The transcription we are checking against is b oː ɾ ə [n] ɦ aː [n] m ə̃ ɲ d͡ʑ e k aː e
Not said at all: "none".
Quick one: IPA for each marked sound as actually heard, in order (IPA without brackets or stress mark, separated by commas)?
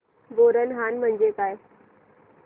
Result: n, n